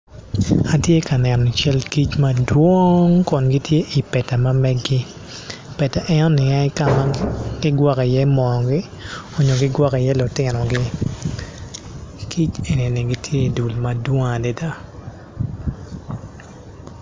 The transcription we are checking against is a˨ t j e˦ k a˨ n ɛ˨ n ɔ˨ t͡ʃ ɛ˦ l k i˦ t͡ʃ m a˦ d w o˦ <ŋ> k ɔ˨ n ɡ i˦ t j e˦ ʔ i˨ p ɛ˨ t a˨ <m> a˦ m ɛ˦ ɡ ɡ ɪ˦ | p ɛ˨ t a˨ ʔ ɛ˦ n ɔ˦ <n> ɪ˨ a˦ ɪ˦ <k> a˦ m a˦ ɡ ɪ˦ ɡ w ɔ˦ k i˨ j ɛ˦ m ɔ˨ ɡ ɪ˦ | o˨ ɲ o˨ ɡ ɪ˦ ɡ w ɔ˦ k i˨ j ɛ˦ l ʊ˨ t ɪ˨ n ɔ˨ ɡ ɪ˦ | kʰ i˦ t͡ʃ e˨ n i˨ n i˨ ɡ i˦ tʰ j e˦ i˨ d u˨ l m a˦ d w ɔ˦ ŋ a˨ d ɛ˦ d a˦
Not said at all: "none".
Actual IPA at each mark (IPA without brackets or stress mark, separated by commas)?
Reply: ŋ, m, n, k